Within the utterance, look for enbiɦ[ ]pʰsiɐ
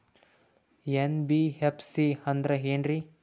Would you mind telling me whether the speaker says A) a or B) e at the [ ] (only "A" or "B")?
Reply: B